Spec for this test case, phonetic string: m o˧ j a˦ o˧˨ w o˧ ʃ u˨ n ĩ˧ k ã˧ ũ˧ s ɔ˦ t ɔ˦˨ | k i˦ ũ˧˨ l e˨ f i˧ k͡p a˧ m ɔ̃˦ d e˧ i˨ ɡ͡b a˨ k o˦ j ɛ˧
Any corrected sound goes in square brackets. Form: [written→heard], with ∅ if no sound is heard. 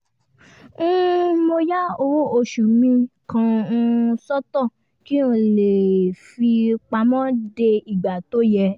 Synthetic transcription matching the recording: m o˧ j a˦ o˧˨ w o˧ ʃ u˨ [n→m] ĩ˧ k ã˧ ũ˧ s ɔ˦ t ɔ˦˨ | k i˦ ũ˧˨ l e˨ f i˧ k͡p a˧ m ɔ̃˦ d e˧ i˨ ɡ͡b a˨ [k→t] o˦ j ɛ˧